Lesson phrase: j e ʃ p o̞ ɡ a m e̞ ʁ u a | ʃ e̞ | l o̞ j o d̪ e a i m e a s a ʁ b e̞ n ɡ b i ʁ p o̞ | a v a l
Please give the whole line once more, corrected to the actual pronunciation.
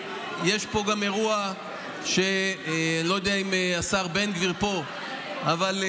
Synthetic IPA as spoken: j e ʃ p o̞ ɡ a m e̞ ʁ u a | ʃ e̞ | l o̞ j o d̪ e a i m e a s a ʁ b e̞ n ɡ v i ʁ p o̞ | a v a l